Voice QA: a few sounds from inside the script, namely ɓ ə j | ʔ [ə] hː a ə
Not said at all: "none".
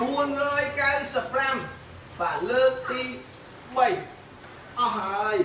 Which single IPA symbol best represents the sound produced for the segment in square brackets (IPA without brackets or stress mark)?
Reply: ɑ